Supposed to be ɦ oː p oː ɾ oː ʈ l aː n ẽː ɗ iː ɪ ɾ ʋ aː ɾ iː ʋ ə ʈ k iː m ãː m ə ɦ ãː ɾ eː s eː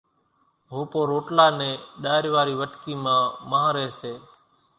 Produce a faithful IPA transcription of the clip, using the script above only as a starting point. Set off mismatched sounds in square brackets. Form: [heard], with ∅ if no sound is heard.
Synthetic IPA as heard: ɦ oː p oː ɾ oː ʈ l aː n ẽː ɗ [aː] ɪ ɾ ʋ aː ɾ iː ʋ ə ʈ k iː m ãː m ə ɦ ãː ɾ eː s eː

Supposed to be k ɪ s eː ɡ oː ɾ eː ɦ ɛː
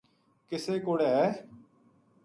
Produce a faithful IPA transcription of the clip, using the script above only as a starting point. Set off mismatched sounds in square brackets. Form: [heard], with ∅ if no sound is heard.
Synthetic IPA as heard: k ɪ s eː [k] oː [ɽ] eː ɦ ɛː

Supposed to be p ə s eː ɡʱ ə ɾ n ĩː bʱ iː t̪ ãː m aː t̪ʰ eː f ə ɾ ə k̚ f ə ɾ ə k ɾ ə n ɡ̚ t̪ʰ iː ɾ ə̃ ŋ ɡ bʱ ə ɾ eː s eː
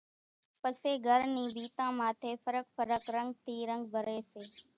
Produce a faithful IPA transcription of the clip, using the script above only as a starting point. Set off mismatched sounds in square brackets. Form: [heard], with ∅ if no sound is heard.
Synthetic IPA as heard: p ə s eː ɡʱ ə ɾ n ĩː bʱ iː t̪ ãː m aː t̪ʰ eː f ə ɾ ə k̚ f ə ɾ ə k ɾ ə [ŋ] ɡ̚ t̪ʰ iː ɾ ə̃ ŋ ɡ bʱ ə ɾ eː s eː

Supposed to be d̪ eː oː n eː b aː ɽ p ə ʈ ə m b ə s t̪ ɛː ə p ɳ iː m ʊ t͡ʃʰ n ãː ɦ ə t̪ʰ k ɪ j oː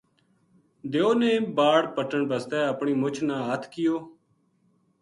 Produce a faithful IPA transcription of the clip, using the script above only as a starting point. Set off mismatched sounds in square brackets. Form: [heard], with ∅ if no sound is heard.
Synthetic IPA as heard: d̪ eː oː n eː b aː ɽ p ə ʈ ə [ɳ] b ə s t̪ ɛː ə p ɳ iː m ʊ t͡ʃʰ n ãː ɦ ə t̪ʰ k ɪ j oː

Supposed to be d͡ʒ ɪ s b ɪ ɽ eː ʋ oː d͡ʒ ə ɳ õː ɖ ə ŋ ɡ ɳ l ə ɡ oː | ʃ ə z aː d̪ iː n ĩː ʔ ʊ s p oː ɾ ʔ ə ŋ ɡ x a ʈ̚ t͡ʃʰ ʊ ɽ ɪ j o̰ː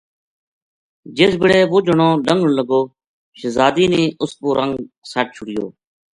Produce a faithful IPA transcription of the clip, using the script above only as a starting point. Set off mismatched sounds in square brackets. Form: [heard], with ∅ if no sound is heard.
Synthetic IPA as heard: d͡ʒ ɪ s b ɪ ɽ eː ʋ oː d͡ʒ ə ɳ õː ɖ ə ŋ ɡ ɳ l ə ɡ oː | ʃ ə z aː d̪ iː n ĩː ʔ ʊ s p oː ɾ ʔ ə ŋ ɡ [s] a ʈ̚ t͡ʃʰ ʊ ɽ ɪ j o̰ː

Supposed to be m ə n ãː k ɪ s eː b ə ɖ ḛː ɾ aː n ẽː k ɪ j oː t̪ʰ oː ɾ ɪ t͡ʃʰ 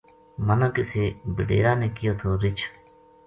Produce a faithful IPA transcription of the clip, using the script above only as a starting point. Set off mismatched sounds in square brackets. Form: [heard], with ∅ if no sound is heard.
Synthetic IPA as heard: m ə n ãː k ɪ s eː b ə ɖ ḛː ɾ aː n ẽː k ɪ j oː t̪ʰ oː ɾ ɪ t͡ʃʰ

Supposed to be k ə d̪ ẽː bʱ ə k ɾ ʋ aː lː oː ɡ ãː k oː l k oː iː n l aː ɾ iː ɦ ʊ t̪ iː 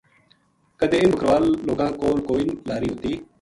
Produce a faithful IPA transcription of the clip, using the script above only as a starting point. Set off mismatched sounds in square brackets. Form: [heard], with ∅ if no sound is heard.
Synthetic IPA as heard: k ə d̪ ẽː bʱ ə k ɾ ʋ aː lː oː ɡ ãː k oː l k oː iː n l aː ɾ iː ɦ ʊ t̪ iː

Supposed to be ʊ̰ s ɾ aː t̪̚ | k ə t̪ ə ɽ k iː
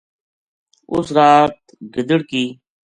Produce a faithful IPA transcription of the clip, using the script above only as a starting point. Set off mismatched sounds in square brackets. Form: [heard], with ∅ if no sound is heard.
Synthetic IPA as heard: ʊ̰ s ɾ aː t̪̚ | [ɡ] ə [d̪] ə ɽ k iː

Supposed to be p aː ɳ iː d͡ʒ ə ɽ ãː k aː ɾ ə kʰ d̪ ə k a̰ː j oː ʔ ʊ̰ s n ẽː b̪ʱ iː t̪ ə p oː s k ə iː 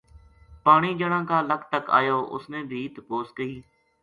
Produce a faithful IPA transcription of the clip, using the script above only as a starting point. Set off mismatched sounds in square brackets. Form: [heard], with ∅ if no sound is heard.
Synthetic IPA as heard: p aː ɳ iː d͡ʒ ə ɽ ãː k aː [l] ə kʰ [t̪] ə k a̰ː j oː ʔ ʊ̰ s n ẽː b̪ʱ iː t̪ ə p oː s k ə iː

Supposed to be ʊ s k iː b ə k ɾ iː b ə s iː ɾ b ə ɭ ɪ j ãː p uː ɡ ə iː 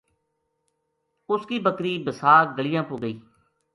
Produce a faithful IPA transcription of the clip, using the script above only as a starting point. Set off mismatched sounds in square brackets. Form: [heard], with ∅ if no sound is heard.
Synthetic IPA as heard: ʊ s k iː b ə k ɾ iː b ə s [aː] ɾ [ɡ] ə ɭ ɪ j ãː p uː ɡ ə iː

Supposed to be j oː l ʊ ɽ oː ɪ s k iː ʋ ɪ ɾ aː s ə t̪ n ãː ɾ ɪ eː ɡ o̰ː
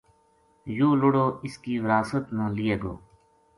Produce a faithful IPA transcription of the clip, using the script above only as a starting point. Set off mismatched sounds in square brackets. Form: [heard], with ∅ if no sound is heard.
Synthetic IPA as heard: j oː l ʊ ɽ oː ɪ s k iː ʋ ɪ ɾ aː s ə t̪ n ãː [l] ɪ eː ɡ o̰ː

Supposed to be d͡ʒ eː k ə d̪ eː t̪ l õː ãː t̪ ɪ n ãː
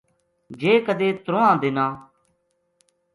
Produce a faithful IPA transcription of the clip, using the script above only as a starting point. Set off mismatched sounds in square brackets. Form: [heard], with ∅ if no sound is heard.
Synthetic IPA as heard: d͡ʒ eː k ə d̪ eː t̪ [ɾ] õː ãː [d̪] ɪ n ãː

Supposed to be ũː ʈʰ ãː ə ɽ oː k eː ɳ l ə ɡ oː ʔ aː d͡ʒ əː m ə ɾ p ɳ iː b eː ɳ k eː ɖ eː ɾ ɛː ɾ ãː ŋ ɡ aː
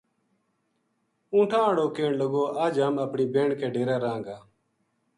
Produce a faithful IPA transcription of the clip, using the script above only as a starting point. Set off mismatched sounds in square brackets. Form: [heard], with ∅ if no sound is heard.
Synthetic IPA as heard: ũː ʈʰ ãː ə ɽ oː k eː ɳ l ə ɡ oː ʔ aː d͡ʒ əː m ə [∅] p ɳ iː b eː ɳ k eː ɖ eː ɾ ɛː ɾ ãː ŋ ɡ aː

